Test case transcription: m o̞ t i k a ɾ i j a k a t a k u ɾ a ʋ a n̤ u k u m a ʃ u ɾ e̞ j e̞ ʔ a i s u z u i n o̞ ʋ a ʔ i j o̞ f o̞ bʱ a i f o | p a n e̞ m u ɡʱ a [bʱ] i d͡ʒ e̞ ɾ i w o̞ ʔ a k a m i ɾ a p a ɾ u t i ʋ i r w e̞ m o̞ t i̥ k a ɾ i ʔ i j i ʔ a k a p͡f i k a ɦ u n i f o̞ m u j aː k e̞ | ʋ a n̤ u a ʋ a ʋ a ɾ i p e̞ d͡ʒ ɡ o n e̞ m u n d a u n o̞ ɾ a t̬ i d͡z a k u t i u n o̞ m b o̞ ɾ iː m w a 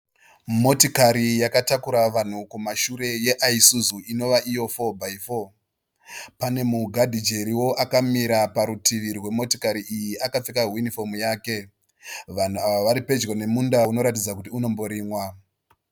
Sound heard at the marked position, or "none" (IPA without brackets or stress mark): dʱ